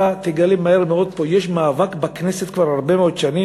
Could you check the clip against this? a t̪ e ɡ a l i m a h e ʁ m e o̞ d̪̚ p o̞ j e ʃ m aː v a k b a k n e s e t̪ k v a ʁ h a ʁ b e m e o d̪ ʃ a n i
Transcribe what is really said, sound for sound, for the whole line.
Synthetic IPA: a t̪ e ɡ a l i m a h e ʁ m e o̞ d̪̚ p o̞ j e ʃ m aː v a k b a k n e s e t̪ k v a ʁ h a ʁ b e m e o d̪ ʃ a n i